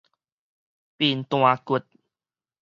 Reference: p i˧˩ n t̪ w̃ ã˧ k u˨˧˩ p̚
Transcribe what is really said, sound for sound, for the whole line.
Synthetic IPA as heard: p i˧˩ n t̪ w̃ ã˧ k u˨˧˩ t̚